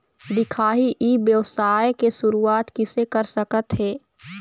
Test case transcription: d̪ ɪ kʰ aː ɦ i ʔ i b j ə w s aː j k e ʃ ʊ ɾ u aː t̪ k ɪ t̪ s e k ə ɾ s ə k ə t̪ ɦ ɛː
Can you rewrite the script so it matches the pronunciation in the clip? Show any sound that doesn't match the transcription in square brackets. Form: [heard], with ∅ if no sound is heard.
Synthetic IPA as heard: d̪ ɪ kʰ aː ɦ i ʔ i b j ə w s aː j k e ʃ ʊ ɾ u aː t̪ k ɪ [∅] s e k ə ɾ s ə k ə t̪ ɦ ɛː